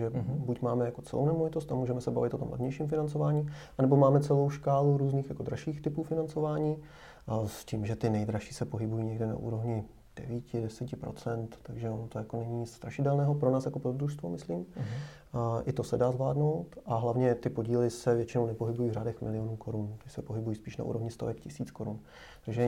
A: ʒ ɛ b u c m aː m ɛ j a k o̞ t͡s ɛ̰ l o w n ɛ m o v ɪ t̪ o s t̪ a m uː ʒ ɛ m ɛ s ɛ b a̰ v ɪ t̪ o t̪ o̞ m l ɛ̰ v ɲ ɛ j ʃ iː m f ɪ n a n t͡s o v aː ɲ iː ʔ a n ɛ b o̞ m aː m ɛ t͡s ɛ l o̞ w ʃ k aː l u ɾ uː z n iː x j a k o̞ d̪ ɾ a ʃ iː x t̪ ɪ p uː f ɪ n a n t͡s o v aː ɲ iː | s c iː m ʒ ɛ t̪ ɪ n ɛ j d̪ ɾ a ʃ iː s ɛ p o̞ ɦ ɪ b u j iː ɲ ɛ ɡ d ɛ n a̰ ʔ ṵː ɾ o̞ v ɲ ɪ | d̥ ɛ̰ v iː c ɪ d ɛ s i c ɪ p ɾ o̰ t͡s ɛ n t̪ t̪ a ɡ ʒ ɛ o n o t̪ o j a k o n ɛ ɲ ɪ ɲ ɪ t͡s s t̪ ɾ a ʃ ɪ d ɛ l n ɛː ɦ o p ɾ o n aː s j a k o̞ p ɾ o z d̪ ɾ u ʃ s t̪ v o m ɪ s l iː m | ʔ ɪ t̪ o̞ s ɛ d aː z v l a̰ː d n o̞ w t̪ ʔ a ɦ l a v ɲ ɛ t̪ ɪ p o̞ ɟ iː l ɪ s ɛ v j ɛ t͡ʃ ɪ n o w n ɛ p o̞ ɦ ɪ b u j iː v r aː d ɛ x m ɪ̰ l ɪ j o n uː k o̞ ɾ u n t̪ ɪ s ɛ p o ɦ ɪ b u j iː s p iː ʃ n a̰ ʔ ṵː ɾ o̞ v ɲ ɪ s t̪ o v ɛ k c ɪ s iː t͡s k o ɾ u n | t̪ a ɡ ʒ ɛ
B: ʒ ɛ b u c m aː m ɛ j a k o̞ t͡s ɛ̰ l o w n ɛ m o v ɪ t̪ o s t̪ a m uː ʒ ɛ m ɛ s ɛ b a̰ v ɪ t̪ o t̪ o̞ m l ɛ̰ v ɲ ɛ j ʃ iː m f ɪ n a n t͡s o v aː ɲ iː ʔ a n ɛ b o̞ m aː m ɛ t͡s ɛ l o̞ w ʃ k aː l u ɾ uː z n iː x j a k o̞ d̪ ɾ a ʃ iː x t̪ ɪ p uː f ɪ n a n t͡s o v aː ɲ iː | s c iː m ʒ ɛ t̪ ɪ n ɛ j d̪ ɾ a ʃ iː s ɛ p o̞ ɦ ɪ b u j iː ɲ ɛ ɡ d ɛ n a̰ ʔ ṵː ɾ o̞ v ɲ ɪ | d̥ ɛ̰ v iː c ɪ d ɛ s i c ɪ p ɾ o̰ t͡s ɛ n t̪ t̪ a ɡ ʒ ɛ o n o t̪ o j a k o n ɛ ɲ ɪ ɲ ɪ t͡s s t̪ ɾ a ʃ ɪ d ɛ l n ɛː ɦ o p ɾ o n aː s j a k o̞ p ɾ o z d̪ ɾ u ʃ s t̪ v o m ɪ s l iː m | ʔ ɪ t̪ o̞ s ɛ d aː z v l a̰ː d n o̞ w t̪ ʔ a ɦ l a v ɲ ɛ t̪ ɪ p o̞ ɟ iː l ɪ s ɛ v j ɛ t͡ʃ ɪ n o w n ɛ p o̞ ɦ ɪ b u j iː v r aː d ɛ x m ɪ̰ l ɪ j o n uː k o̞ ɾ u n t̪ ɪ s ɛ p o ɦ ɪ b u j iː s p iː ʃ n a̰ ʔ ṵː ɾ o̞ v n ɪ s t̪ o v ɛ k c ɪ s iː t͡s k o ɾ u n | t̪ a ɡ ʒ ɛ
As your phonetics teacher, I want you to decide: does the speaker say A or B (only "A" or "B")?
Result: A